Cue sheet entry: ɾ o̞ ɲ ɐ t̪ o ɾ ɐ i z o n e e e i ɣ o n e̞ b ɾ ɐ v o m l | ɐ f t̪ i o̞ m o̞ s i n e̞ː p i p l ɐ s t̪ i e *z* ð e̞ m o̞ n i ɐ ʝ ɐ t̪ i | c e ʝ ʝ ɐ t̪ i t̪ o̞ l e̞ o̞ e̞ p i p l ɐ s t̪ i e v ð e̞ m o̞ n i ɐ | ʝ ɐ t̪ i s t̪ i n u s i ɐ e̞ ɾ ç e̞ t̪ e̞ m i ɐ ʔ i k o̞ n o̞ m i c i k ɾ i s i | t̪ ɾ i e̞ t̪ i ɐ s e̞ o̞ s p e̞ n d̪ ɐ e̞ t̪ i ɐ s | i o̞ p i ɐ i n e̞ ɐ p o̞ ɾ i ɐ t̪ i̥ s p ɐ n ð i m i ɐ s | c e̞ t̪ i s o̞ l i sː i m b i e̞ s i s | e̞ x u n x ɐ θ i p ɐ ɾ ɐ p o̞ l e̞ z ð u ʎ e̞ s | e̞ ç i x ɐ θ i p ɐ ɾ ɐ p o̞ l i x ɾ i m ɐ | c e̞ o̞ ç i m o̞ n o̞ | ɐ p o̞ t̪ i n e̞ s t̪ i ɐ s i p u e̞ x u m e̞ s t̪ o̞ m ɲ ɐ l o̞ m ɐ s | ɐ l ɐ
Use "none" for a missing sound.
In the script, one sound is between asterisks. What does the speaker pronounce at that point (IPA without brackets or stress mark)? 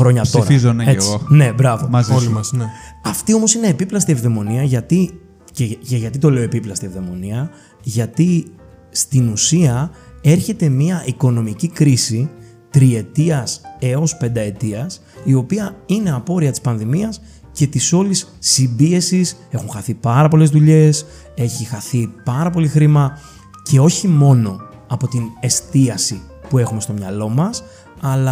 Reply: v